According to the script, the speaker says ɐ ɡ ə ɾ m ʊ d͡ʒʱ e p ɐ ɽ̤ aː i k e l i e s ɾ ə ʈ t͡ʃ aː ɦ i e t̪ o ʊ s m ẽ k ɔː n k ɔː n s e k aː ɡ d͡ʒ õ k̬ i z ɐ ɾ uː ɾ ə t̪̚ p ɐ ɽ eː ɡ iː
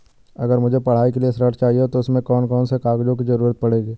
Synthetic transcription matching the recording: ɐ ɡ ə ɾ m ʊ d͡ʒʱ e p ɐ ɽ̤ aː i k e l i e s ɾ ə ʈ t͡ʃ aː ɦ i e t̪ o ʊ s m ẽ k ɔː n k ɔː n s e k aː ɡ d͡ʒ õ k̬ i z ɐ ɾ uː ɾ ə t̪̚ p ɐ ɽ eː ɡ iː